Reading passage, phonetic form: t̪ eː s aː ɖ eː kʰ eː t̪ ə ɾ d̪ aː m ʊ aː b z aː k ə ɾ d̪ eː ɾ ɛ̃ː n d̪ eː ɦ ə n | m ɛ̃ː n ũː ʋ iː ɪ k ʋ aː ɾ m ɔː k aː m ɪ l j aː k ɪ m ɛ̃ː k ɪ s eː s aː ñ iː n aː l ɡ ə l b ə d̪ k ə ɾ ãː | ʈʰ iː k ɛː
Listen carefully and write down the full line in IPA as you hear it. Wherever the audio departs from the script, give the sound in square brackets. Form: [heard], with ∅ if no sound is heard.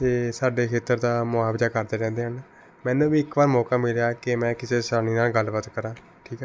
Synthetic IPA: t̪ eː s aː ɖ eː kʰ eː t̪ ə ɾ d̪ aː m ʊ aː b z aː k ə ɾ d̪ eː ɾ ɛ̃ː n d̪ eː ɦ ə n | m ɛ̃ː n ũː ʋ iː ɪ k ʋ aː ɾ m ɔː k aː m ɪ l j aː k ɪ m ɛ̃ː k ɪ s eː s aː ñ iː n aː l ɡ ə l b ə [t̪] k ə ɾ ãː | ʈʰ iː k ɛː